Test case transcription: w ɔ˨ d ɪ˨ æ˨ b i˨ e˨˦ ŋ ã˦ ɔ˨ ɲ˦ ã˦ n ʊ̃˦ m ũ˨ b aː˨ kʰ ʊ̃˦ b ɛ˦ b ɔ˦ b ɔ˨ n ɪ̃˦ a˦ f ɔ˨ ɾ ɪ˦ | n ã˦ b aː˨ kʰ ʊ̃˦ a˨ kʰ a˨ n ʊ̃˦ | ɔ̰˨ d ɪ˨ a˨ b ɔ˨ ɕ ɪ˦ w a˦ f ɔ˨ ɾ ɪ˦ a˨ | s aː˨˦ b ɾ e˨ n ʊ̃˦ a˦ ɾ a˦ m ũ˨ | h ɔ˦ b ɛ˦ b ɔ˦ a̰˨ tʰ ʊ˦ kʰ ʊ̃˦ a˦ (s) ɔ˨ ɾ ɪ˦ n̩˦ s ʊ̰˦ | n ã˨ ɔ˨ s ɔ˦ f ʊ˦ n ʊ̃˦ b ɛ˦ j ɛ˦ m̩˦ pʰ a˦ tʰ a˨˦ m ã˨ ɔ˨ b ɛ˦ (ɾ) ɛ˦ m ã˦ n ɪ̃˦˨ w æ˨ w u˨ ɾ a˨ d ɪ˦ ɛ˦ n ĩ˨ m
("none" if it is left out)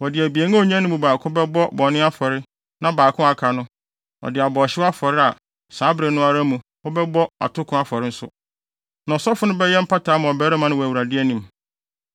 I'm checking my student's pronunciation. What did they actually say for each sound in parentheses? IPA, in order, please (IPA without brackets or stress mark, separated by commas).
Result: f, ɾ